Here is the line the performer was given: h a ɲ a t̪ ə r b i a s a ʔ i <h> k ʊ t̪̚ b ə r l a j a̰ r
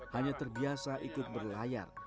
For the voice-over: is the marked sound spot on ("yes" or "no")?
no